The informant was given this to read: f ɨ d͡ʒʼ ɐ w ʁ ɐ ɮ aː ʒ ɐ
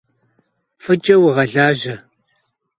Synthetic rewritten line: f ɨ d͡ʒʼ ɐ w ʁ ɐ ɮ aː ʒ ɐ